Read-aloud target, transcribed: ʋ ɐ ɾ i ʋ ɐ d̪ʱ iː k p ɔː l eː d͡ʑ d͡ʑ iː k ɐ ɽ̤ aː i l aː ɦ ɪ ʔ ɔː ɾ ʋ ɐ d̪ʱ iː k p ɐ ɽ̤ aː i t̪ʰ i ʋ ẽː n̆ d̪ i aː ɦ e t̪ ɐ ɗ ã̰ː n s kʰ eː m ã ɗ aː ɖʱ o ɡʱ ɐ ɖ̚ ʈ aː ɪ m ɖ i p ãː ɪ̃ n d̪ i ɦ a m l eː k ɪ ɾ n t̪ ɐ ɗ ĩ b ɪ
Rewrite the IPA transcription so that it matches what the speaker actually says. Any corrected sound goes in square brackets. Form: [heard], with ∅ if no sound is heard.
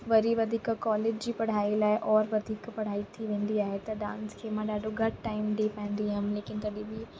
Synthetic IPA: ʋ ɐ ɾ i ʋ ɐ d̪ʱ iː k [k] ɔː l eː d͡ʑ d͡ʑ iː [p] ɐ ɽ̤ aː i l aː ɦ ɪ ʔ ɔː ɾ ʋ ɐ d̪ʱ iː k p ɐ ɽ̤ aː i t̪ʰ i ʋ ẽː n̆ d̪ i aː ɦ e t̪ ɐ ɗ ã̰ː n s kʰ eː m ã ɗ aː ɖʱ o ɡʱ ɐ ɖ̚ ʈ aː ɪ m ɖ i p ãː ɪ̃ n d̪ i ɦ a m l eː k ɪ [∅] n t̪ ɐ ɗ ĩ b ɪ